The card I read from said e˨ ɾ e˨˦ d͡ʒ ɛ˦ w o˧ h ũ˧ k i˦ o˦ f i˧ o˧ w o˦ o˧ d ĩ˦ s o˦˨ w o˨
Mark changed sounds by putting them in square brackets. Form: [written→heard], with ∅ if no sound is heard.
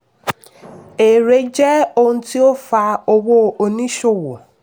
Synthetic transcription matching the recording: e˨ ɾ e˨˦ d͡ʒ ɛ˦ [w→∅] o˧ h ũ˧ [k→t] i˦ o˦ f [i˧→a˧] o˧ w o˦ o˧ [d→n] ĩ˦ [s→ʃ] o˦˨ w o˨